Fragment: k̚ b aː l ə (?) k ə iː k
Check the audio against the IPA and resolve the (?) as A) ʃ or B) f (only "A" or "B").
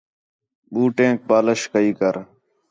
A